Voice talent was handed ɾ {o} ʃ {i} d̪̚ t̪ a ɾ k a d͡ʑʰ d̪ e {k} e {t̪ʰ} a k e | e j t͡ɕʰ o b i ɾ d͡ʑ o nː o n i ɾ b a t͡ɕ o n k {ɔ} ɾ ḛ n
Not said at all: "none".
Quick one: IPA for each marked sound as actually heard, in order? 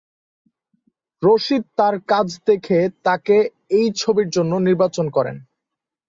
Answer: o, i, kʰ, t̪, ɔ

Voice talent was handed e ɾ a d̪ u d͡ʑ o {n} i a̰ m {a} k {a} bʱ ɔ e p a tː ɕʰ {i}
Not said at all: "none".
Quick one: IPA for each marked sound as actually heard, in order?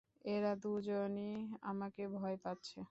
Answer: n, a, e, e

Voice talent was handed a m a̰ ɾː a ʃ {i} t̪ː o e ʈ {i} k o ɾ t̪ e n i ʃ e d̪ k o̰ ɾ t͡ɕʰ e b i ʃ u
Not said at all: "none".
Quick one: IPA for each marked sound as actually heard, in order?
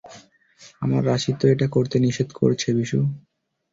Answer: i, a

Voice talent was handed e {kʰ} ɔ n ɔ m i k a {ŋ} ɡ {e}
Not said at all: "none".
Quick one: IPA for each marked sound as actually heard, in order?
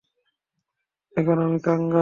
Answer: k, ŋ, a

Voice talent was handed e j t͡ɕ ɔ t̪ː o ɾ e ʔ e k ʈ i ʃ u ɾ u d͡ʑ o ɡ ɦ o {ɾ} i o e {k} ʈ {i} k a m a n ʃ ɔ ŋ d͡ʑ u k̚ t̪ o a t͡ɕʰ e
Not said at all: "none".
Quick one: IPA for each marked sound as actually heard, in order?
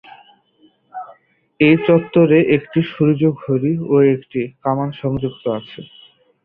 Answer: ɾ, k, i

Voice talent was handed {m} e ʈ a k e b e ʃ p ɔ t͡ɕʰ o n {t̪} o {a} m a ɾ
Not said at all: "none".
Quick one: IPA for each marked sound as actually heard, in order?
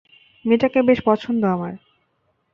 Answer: m, d̪, a

